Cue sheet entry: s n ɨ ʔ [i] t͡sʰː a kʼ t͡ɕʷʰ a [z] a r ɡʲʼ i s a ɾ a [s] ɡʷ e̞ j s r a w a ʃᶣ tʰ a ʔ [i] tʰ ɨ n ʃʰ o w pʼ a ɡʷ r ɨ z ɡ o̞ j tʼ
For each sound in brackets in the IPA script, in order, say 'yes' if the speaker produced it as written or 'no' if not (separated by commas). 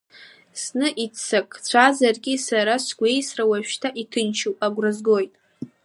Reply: yes, yes, yes, yes